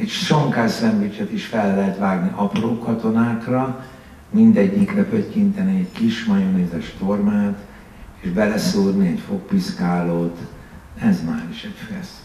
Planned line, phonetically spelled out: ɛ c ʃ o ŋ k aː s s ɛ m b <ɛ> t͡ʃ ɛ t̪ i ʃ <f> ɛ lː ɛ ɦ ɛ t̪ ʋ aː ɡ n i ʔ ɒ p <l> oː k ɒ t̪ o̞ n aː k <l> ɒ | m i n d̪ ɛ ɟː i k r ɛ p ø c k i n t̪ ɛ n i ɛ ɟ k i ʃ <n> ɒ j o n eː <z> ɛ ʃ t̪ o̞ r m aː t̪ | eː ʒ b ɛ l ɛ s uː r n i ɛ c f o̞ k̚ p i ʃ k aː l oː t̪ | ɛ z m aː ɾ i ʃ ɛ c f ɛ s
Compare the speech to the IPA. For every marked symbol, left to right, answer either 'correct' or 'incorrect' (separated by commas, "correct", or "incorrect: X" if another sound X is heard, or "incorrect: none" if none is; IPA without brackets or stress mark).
incorrect: i, correct, incorrect: r, incorrect: r, incorrect: m, correct